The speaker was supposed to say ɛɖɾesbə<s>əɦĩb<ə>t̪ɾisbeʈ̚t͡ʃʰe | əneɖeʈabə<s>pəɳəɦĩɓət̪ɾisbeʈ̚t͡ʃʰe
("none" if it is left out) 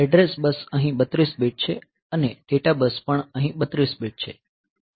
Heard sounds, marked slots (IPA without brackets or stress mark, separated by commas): s, ə, s